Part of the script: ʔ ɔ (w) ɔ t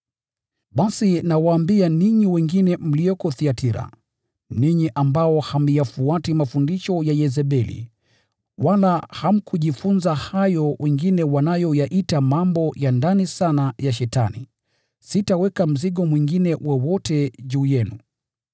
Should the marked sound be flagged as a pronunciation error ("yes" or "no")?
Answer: no